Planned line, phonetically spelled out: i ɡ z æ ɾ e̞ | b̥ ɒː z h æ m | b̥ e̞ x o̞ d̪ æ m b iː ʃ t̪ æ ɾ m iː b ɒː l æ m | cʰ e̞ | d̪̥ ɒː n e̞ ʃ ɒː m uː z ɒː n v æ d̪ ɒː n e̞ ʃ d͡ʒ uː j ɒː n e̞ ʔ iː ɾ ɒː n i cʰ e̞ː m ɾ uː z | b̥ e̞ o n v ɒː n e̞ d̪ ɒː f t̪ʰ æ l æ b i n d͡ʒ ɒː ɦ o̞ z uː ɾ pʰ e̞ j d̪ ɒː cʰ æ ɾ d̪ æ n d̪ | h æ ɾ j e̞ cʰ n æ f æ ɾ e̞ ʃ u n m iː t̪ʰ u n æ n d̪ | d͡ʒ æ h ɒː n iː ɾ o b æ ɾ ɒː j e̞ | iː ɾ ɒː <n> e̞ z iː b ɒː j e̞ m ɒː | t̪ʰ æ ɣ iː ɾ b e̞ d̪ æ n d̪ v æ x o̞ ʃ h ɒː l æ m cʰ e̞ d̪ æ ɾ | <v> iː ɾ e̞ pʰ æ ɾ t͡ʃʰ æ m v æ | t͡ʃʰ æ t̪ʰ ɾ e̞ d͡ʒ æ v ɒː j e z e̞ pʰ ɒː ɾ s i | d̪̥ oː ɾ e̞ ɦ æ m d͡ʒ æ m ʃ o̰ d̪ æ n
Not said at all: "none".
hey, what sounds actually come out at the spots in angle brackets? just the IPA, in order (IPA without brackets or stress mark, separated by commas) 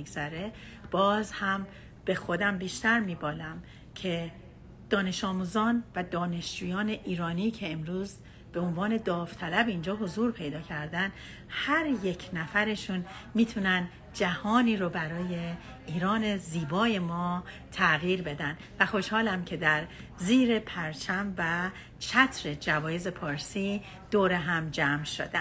n, z